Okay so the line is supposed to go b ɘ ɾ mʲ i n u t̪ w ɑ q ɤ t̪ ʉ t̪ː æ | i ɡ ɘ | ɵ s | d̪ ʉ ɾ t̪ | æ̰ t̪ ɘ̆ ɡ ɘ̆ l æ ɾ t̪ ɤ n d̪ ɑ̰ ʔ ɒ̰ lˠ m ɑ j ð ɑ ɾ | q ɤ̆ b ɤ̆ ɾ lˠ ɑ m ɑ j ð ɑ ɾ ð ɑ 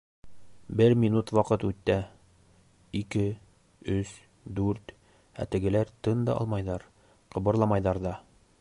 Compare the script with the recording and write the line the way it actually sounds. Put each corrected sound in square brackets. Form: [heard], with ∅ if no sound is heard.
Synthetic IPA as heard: b ɘ ɾ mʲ i n u t̪ w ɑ q ɤ t̪ ʉ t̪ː æ | i [k] ɘ | ɵ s | d̪ ʉ ɾ t̪ | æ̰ t̪ ɘ̆ ɡ ɘ̆ l æ ɾ t̪ ɤ n d̪ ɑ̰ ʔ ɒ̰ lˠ m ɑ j ð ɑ ɾ | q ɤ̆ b ɤ̆ ɾ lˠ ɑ m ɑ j ð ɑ ɾ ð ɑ